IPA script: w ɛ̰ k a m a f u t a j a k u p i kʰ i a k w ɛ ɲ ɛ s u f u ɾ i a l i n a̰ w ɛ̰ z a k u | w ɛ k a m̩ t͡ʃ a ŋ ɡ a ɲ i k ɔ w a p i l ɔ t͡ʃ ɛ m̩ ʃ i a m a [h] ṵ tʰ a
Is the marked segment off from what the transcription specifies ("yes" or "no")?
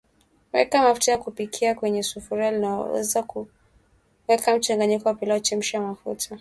yes